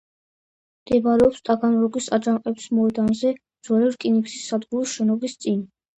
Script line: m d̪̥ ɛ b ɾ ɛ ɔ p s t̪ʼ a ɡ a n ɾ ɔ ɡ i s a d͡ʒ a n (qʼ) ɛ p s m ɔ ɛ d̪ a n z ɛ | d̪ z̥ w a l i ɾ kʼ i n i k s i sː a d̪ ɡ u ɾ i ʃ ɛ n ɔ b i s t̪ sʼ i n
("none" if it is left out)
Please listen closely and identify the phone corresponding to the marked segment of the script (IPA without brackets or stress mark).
qʼ